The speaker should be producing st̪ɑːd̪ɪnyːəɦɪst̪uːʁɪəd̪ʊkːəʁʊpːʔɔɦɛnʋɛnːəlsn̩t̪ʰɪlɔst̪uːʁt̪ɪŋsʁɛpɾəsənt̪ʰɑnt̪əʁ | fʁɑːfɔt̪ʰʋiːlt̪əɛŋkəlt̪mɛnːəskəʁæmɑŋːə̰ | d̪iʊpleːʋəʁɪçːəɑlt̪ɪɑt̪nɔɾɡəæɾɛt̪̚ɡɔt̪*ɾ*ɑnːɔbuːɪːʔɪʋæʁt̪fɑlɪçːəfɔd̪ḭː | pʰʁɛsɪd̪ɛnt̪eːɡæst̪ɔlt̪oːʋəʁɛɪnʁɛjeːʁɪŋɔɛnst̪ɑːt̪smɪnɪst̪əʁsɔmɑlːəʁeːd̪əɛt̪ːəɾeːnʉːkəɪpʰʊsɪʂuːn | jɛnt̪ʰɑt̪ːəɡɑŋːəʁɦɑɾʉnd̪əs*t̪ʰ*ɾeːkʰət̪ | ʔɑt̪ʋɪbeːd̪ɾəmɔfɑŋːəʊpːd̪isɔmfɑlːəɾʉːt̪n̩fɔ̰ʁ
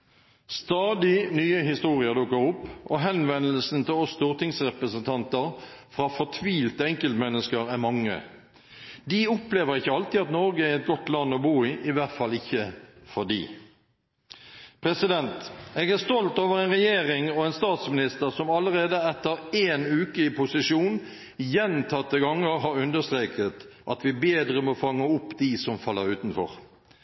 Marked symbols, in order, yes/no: no, no

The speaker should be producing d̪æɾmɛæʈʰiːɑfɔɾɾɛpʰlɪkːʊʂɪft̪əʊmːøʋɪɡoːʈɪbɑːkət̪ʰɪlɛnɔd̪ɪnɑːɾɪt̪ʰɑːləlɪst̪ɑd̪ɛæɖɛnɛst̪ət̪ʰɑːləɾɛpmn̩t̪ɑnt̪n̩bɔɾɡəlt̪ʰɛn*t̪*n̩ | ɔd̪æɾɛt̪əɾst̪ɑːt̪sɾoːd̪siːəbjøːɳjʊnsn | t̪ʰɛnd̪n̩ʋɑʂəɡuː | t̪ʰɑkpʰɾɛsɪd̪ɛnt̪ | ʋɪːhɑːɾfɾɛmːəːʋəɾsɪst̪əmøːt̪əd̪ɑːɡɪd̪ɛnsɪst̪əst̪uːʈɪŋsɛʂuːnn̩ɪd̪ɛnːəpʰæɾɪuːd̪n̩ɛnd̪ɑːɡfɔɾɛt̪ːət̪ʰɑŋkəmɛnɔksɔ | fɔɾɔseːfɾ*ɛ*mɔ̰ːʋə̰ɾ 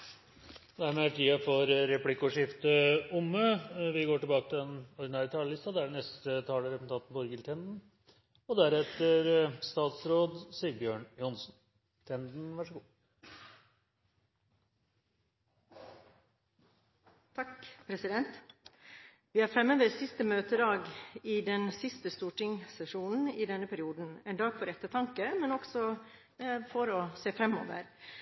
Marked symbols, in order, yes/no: no, yes

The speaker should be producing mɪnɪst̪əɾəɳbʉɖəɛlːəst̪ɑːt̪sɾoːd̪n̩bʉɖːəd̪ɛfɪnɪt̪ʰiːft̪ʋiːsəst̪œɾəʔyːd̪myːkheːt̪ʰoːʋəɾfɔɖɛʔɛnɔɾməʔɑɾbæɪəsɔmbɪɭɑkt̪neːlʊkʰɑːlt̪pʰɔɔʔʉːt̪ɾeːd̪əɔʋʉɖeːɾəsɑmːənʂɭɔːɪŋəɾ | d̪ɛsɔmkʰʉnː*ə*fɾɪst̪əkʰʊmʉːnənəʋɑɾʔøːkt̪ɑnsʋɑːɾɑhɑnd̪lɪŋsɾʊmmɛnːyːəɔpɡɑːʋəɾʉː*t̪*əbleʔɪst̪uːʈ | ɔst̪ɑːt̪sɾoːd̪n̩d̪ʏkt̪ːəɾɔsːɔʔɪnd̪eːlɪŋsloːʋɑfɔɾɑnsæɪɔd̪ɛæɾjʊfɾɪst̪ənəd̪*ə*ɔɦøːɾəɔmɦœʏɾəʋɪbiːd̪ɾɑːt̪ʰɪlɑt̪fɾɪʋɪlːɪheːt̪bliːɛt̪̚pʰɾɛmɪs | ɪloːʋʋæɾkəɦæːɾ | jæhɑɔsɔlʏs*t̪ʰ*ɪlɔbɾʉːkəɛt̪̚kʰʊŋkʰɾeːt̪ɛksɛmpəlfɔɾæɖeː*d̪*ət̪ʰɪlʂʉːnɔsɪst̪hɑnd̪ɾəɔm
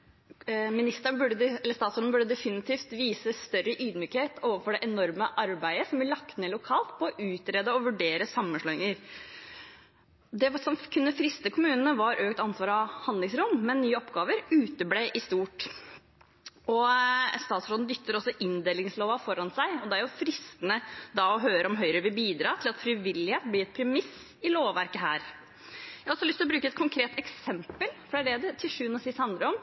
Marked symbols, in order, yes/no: yes, yes, no, no, yes

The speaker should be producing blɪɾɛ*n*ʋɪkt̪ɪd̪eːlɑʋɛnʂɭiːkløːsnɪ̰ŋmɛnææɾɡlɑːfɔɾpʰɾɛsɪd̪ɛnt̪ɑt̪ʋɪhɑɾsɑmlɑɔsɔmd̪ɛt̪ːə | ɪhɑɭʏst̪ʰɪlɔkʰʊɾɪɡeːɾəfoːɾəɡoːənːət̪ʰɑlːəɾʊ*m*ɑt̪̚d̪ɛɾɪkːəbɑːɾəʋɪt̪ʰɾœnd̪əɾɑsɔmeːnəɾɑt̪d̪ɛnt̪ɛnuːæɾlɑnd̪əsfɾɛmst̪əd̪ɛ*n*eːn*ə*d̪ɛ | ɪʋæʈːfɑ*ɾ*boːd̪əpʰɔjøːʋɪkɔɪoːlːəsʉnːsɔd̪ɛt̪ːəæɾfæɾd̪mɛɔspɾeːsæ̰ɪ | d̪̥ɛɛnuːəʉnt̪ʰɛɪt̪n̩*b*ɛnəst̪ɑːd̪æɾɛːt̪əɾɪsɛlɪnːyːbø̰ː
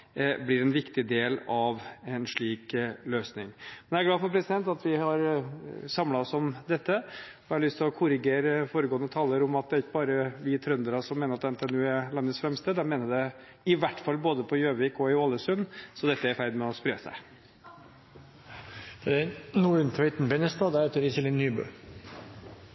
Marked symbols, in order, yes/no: yes, yes, no, yes, no, yes

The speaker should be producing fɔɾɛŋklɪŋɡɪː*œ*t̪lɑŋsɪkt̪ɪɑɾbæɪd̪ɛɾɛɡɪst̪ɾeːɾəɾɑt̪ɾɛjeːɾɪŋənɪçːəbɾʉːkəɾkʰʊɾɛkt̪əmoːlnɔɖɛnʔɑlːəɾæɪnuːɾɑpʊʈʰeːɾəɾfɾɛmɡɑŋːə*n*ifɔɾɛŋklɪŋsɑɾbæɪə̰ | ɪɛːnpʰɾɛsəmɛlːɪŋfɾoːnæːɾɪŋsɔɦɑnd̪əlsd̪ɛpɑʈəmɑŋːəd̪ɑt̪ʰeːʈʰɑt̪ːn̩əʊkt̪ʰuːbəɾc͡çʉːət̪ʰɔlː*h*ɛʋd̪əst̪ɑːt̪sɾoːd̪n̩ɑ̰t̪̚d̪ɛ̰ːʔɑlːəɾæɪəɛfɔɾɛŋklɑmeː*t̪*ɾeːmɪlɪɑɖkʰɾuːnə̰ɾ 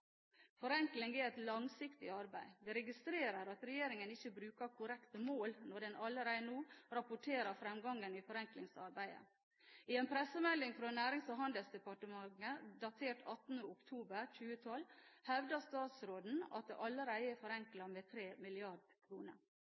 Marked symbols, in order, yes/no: no, yes, yes, no

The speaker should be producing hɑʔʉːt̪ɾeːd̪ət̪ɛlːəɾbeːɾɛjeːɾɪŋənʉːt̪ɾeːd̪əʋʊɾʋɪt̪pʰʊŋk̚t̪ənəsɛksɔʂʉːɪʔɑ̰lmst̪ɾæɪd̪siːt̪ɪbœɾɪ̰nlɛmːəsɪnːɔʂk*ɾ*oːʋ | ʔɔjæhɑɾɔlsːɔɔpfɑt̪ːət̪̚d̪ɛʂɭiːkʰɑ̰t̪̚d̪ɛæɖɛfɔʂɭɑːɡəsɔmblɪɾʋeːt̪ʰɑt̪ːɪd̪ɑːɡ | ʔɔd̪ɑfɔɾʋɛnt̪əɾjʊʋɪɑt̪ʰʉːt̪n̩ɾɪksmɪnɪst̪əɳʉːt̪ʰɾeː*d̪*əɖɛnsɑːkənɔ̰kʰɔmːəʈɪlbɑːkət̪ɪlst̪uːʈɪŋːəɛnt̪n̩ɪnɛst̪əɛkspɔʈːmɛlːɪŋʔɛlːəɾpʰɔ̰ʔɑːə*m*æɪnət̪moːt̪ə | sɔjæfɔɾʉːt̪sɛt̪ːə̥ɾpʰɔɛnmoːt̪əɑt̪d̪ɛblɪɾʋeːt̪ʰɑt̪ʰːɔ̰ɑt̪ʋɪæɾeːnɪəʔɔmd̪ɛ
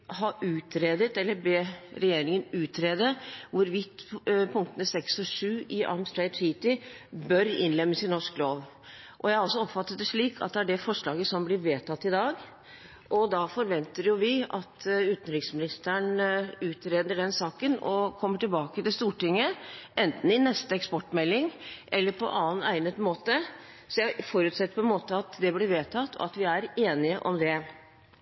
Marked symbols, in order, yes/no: no, yes, no

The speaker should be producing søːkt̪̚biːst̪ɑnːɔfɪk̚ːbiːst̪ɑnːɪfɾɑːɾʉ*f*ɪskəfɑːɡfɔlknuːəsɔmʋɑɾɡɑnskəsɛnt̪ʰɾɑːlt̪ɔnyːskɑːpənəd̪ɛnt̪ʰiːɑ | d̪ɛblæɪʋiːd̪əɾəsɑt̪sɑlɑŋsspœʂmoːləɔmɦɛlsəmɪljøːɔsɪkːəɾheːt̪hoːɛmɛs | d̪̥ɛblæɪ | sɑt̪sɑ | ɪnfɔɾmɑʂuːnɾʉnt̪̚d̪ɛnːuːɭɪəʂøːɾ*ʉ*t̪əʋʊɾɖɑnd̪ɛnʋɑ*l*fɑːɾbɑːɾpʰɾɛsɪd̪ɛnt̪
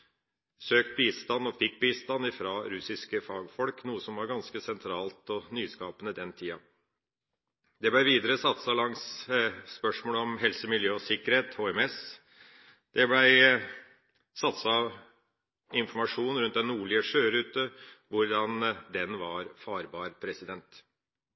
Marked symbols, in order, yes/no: no, no, no

